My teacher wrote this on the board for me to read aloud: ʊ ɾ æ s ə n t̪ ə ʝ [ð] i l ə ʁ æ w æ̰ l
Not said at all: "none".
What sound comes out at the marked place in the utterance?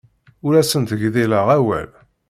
ð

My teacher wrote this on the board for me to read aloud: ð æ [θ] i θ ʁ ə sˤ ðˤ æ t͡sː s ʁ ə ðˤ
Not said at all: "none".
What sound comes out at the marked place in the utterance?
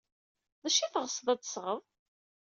ʃ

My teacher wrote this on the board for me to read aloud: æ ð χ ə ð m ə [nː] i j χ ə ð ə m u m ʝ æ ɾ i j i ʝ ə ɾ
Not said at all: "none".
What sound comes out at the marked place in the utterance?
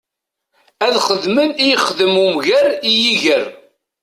n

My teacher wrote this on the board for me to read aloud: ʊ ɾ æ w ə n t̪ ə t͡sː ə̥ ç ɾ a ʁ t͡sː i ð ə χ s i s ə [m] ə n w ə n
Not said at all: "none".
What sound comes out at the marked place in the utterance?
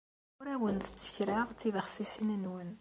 n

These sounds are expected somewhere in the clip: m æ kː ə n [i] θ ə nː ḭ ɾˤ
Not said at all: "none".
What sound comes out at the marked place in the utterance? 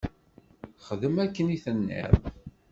i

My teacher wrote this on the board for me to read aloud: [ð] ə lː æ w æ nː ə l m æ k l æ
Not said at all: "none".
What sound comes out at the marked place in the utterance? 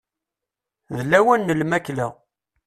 ð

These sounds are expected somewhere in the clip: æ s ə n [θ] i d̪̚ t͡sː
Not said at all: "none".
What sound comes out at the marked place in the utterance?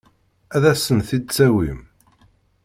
θ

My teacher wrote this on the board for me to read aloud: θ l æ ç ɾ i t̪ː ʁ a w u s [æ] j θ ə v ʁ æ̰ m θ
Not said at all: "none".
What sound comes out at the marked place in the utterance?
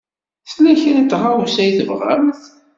æ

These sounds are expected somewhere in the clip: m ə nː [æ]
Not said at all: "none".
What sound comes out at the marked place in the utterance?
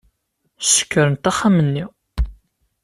i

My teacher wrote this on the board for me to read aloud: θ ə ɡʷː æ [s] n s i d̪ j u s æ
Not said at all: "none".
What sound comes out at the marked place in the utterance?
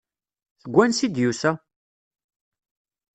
none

